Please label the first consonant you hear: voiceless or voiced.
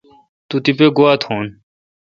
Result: voiceless